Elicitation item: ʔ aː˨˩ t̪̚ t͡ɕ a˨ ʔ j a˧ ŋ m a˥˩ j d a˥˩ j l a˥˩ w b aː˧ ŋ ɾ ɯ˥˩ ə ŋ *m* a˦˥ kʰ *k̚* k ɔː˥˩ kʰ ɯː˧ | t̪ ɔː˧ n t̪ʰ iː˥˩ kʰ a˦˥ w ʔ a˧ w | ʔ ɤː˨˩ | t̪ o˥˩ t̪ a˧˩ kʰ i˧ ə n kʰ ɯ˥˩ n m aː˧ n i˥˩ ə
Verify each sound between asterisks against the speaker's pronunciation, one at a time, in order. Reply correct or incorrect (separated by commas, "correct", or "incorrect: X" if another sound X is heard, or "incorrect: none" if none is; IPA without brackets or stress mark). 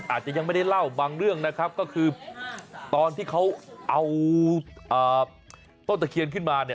incorrect: n, incorrect: p̚